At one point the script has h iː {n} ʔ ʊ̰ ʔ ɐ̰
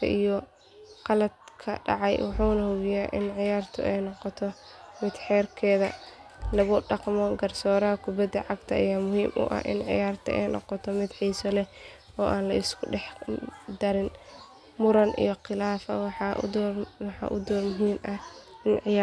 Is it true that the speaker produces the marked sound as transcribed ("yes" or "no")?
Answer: no